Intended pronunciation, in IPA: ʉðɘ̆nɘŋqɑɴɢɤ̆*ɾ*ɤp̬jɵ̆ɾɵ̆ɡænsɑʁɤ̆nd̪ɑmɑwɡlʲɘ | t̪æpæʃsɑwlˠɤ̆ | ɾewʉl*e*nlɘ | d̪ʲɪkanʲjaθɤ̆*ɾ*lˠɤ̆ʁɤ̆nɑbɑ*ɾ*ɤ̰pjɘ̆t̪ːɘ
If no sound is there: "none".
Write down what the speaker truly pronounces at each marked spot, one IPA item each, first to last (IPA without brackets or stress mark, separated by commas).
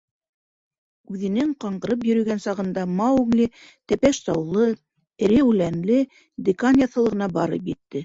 ɾ, æ, none, ɾ